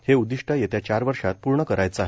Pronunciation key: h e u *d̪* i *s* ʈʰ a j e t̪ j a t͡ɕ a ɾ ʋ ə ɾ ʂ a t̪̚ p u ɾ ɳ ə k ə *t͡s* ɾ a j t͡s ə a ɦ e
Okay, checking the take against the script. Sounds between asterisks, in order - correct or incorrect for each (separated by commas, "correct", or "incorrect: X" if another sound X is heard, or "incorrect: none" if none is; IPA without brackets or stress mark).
correct, incorrect: ʂ, incorrect: none